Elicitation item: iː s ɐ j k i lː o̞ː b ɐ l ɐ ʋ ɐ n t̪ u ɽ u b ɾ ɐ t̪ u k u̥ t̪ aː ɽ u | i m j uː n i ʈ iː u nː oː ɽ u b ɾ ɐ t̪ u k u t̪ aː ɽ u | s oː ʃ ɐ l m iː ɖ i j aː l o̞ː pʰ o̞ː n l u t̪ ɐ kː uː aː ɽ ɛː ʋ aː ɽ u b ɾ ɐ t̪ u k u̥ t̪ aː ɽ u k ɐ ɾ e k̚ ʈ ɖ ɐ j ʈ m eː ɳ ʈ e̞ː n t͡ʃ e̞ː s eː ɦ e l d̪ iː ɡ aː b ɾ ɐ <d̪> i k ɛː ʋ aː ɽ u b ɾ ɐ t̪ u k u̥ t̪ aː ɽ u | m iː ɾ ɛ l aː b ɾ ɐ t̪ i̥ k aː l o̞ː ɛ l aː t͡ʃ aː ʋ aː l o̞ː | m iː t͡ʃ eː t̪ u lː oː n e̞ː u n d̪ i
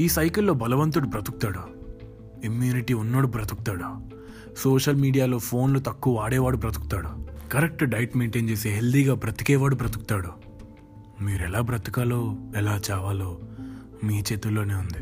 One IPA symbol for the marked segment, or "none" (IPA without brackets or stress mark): t̪